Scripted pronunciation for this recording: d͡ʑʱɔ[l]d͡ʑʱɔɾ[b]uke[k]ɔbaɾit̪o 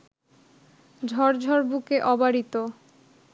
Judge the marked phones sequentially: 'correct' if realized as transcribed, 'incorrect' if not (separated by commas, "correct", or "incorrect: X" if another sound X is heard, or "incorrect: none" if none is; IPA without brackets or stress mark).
incorrect: ɾ, correct, incorrect: ʔ